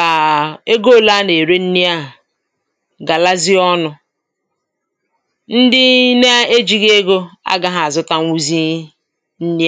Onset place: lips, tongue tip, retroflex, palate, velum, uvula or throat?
velum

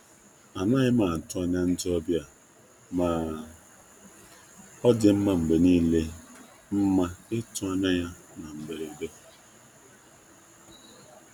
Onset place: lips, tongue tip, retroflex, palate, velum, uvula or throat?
tongue tip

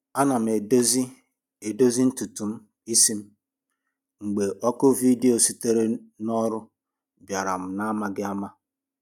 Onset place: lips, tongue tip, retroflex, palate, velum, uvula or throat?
tongue tip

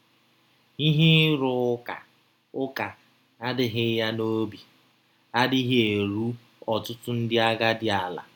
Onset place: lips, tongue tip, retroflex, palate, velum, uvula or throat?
throat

